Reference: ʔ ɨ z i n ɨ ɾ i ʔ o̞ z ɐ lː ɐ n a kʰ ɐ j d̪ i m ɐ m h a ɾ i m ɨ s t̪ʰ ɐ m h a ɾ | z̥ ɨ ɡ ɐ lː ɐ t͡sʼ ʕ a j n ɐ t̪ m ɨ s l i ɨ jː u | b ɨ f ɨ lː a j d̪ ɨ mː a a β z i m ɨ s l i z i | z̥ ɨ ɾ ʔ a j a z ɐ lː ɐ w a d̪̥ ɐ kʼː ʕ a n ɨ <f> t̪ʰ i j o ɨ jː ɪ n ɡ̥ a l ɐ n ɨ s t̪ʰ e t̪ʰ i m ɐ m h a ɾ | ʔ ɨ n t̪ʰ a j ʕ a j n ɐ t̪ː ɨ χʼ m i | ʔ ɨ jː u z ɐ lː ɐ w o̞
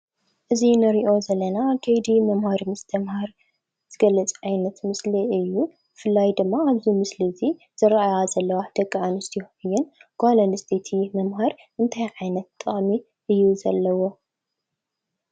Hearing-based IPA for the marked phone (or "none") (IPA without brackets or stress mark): s